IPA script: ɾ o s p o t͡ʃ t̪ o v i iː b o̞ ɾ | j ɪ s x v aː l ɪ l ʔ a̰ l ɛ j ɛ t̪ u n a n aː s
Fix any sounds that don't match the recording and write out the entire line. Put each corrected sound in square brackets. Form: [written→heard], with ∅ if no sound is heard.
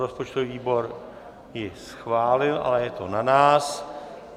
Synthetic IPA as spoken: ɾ o s p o t͡ʃ t̪ o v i iː b o̞ ɾ | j ɪ s x v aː l ɪ l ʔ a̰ l ɛ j ɛ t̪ [u→o] n a n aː s